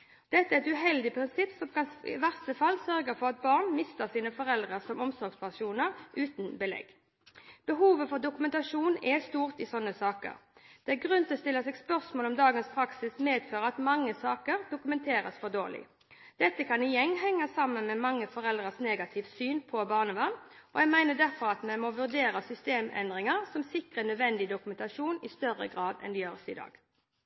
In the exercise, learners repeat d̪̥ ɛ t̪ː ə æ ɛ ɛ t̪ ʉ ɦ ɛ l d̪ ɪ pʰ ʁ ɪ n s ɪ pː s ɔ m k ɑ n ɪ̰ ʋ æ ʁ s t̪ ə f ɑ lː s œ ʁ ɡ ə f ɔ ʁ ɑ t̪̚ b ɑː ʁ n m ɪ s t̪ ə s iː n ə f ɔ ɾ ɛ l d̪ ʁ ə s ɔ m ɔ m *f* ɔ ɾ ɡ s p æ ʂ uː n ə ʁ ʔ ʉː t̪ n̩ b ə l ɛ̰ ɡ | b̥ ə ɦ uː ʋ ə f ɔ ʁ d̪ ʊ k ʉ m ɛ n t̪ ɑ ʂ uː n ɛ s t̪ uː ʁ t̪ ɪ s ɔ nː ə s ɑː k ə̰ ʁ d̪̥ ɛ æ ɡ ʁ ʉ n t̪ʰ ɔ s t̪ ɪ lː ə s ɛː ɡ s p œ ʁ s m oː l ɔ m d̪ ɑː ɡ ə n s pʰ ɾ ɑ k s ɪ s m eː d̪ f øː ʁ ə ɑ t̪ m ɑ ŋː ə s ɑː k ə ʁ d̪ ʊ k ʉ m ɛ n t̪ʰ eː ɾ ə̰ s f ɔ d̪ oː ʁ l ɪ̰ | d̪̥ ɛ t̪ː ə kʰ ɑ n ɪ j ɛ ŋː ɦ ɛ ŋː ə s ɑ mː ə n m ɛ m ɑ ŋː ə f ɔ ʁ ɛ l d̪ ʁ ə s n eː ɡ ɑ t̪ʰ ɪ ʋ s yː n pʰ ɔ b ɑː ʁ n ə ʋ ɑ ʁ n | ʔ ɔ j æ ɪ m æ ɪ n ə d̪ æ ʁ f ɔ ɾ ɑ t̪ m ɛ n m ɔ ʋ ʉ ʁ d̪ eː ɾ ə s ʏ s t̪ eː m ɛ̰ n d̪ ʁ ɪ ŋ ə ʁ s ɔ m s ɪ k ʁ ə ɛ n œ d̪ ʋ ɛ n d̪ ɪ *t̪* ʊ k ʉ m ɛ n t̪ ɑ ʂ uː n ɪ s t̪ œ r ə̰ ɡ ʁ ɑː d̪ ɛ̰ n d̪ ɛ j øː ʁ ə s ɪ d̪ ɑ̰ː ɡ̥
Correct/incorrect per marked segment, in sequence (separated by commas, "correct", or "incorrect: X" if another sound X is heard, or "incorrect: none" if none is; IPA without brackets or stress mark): incorrect: s, incorrect: d̪